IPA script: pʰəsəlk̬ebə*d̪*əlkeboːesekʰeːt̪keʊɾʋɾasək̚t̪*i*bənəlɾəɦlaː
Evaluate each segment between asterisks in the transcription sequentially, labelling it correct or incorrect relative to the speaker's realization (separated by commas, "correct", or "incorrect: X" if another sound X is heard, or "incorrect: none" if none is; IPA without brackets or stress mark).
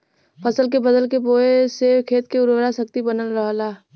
correct, correct